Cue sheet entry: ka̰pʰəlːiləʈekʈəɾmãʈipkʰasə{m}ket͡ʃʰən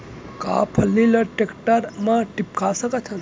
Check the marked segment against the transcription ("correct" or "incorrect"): incorrect